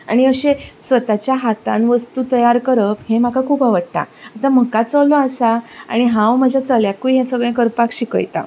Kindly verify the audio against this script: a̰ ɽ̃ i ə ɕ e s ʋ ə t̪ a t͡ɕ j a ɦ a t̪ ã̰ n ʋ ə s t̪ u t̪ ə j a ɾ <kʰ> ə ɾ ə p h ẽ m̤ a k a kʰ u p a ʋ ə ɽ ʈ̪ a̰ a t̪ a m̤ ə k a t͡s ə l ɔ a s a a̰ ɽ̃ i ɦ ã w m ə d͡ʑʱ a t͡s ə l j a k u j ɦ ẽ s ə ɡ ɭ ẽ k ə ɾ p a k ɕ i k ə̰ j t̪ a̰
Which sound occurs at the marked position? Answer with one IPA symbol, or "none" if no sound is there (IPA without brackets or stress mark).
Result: k